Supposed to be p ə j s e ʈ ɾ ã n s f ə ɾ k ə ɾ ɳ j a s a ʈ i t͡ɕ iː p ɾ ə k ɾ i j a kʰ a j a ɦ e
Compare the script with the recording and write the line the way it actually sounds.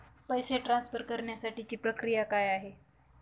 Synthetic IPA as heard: p ə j s e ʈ ɾ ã n s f ə ɾ k ə ɾ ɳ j a s a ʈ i t͡ɕ iː p ɾ ə k ɾ i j a k a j a ɦ e